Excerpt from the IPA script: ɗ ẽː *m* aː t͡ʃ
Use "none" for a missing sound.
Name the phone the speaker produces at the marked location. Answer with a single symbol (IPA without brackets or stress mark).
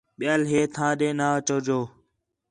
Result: n